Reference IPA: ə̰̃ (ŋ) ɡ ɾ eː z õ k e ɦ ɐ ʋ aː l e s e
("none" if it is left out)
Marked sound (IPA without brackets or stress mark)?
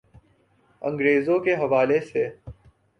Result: ŋ